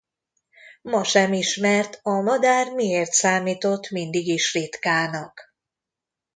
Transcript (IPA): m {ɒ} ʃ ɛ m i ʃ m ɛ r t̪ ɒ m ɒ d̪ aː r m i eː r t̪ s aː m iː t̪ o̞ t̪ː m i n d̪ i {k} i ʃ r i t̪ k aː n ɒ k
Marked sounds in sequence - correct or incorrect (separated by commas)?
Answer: correct, incorrect